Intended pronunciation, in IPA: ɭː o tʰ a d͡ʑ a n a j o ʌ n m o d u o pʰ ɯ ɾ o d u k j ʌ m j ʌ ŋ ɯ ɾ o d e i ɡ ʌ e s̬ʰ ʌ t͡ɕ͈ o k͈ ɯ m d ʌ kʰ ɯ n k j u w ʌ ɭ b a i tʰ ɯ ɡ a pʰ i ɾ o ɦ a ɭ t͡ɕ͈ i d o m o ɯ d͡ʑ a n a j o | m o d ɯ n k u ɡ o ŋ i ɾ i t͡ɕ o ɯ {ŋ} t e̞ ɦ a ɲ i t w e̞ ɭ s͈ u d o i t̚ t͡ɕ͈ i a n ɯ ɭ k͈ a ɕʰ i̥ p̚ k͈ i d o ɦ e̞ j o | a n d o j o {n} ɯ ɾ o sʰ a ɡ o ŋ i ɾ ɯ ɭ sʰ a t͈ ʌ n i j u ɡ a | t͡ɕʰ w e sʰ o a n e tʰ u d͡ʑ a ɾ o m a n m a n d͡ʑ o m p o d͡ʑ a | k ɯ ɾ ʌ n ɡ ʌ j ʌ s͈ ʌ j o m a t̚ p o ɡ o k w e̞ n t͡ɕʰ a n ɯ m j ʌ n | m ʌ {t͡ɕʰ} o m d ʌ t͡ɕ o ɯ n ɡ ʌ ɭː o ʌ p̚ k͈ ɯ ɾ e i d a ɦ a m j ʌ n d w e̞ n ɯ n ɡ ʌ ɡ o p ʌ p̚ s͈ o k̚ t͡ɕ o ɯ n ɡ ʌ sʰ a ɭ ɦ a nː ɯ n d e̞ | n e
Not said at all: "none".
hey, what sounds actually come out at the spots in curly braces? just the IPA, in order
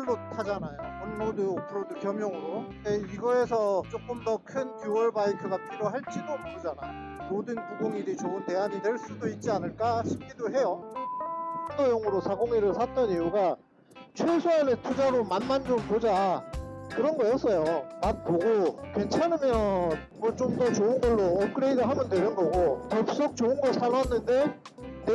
n, ŋ, t͡ɕ

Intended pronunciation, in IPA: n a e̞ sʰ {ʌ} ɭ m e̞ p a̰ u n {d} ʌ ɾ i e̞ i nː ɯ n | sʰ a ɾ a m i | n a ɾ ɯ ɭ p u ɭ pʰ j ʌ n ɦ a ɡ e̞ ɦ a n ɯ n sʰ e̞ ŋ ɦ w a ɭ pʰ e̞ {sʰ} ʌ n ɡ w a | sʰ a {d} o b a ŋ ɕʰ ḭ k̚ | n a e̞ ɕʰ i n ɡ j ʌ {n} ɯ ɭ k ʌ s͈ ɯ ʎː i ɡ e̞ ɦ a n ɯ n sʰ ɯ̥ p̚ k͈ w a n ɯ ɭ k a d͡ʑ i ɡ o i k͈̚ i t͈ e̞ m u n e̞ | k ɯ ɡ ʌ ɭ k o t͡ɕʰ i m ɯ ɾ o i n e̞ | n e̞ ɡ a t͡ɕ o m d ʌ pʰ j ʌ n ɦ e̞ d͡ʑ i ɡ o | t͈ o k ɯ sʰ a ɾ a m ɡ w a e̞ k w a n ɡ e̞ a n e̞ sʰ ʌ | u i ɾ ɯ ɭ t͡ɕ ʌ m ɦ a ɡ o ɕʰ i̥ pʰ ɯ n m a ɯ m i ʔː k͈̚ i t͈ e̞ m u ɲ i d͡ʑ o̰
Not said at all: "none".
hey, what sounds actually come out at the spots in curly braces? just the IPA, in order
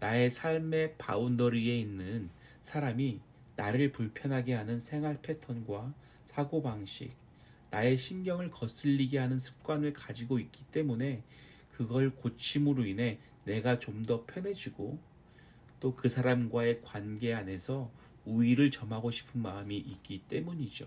a, d, tʰ, ɡ, ŋ

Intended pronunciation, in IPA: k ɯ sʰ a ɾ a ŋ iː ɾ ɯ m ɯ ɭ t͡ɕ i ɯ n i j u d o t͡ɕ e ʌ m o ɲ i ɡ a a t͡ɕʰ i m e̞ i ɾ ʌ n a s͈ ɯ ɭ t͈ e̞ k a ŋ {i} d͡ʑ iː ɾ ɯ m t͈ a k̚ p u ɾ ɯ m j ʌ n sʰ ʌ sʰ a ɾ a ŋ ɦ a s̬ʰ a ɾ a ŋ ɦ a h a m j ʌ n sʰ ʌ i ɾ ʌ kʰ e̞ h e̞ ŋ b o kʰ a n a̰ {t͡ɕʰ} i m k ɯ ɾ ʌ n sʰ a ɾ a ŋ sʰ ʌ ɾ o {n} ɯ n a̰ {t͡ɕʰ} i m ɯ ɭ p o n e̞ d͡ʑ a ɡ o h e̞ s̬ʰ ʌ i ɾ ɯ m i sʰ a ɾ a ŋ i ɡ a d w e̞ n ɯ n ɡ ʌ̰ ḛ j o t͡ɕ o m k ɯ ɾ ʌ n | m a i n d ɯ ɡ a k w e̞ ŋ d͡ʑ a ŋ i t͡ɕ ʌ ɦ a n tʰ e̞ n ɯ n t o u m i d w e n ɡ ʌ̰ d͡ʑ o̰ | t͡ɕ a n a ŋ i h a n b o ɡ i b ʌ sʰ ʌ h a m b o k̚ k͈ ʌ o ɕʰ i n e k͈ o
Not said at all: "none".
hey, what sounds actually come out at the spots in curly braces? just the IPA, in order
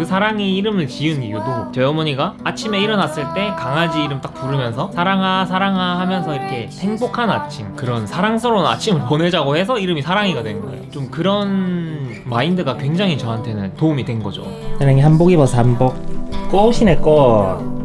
a, t͡ɕʰ, n, t͡ɕʰ

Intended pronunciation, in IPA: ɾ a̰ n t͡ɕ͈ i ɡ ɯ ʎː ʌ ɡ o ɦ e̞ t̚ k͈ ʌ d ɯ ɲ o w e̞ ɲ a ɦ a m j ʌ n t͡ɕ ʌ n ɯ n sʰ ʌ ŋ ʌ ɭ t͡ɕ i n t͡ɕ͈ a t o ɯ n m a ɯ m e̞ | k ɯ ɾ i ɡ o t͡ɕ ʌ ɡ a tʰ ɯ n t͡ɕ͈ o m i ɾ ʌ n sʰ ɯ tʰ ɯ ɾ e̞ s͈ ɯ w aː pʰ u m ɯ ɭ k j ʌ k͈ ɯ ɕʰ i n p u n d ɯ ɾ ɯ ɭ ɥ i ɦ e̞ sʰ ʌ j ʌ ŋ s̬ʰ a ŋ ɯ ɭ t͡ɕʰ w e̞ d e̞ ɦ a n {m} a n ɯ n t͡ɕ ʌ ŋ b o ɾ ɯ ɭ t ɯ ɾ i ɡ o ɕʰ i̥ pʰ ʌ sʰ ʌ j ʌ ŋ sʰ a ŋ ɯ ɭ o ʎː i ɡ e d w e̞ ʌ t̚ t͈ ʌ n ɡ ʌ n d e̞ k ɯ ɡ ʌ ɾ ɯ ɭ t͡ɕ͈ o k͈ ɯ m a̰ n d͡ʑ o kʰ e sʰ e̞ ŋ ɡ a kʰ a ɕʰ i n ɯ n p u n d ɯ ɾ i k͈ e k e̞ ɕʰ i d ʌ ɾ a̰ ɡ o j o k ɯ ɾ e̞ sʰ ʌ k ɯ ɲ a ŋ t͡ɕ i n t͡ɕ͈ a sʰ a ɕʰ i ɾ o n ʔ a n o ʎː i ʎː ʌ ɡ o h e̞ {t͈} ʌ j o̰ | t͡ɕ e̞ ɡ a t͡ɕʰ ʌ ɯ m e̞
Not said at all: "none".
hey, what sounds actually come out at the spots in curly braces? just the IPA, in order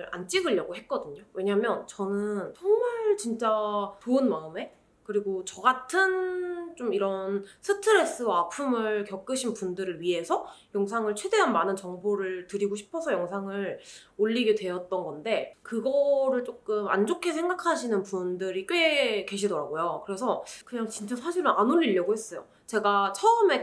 m, s͈

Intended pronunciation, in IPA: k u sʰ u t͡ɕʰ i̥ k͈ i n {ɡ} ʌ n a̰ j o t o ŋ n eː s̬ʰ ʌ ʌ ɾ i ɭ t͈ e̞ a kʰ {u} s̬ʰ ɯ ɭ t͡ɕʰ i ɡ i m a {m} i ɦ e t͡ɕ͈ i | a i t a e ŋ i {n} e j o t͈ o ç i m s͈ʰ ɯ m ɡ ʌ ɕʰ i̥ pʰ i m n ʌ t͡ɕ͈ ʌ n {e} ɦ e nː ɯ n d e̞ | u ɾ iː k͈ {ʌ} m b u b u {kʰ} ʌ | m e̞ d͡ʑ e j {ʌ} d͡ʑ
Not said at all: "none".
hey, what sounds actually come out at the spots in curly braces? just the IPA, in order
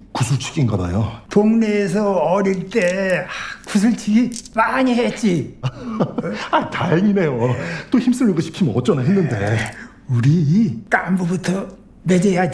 ɡ, u, ɲ, n, a, a, tʰ, a

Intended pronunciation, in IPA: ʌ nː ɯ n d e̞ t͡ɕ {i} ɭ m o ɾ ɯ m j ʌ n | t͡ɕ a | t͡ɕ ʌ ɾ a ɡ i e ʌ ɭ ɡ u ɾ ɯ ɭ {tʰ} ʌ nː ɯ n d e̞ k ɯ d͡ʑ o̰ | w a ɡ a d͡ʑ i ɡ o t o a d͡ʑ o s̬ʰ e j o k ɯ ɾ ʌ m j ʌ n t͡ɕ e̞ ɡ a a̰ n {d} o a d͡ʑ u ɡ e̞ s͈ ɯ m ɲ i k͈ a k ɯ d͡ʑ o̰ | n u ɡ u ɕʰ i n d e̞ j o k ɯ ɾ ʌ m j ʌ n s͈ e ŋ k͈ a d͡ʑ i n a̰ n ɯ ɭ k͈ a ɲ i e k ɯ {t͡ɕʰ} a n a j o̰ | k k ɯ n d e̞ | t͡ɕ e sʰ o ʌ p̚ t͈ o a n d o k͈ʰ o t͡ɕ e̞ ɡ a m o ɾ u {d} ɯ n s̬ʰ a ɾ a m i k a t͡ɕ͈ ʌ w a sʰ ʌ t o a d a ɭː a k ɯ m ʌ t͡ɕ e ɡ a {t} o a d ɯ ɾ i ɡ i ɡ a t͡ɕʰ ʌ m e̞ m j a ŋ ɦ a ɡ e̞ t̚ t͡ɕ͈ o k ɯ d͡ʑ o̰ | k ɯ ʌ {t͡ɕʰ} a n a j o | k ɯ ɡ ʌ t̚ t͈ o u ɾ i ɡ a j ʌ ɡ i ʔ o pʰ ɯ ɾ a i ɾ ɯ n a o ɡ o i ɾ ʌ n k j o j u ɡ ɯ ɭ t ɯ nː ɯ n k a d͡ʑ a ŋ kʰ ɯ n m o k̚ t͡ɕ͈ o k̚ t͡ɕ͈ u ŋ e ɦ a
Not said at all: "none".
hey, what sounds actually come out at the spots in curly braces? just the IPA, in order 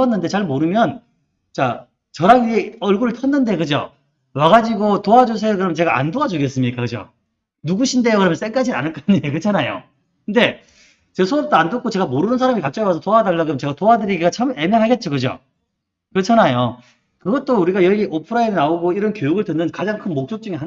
a, tʰ, d, t͡ɕʰ, n, t, t͡ɕʰ

